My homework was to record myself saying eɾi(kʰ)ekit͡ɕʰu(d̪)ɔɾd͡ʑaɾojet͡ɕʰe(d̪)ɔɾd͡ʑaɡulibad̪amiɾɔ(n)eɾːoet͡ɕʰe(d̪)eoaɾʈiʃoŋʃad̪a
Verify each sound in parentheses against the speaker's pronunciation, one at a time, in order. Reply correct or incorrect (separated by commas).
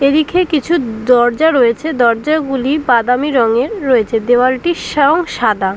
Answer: correct, correct, correct, incorrect, correct